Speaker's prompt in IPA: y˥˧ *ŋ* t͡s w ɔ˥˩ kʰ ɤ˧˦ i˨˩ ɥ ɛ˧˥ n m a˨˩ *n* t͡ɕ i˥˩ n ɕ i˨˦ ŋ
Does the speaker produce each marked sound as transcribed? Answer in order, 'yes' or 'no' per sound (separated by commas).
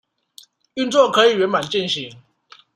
no, yes